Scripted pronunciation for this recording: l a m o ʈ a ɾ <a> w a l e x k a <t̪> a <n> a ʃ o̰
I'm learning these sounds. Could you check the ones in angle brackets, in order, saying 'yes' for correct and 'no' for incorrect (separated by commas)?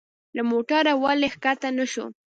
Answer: yes, yes, yes